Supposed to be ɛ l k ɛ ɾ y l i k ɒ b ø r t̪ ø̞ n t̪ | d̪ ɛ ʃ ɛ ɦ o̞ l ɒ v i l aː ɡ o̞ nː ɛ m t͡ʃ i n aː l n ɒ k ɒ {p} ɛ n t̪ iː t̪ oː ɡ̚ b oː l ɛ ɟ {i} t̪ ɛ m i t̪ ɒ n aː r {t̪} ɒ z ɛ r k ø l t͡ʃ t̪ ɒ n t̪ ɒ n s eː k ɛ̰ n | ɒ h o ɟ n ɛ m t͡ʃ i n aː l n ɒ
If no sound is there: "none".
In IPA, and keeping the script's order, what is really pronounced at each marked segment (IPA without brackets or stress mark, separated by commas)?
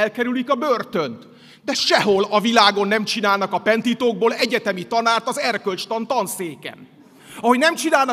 p, ɛ, t̪